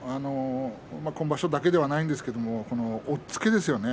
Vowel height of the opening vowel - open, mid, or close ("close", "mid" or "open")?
open